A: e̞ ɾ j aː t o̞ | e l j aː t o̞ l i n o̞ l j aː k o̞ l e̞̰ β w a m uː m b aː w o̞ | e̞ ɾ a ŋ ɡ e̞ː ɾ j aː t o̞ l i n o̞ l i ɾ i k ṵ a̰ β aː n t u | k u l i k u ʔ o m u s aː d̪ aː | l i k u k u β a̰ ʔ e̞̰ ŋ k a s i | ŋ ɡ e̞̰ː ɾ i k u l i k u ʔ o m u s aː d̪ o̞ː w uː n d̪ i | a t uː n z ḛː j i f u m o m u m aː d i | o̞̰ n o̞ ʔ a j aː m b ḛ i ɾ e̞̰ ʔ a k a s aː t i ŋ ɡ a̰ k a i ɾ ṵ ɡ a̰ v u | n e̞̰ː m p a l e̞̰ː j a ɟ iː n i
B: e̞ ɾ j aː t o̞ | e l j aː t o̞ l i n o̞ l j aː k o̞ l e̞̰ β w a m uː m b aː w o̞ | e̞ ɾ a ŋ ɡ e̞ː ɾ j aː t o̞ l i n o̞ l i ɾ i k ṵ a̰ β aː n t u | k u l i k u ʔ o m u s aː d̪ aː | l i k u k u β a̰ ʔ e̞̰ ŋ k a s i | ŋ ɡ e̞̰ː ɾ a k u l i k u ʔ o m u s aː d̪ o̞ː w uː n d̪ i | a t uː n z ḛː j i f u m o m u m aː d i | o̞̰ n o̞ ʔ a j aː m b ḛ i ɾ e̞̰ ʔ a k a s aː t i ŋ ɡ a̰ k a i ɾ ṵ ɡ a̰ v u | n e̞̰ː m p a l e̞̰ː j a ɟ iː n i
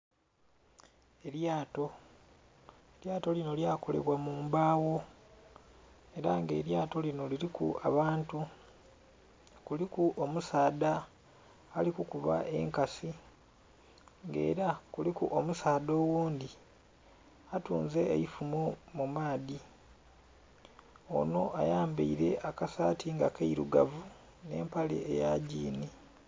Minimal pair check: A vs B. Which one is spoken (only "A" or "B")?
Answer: B